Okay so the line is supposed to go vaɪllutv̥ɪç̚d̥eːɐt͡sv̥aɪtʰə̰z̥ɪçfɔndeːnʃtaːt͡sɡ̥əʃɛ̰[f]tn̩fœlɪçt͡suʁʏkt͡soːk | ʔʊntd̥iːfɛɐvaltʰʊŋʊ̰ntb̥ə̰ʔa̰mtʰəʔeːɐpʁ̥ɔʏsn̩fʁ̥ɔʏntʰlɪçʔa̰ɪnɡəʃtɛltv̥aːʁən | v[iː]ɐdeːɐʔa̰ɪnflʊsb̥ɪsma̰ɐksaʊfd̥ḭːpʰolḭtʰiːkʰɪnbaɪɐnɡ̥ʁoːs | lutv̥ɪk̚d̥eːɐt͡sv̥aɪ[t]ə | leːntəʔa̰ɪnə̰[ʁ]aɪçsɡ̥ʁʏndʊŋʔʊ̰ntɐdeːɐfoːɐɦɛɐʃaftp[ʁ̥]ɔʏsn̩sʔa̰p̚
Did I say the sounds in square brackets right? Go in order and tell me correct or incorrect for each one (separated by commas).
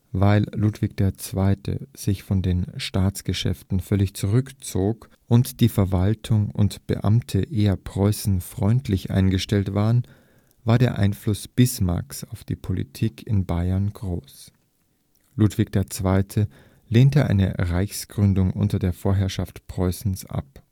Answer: correct, incorrect, incorrect, correct, correct